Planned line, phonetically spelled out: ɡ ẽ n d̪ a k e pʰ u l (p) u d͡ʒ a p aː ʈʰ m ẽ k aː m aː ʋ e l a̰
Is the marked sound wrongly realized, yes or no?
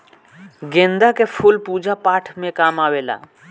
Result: no